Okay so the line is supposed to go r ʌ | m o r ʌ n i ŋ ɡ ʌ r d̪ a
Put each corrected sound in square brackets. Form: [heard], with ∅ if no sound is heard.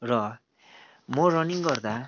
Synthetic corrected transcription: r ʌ | m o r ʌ n i ŋ ɡ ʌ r d̪ a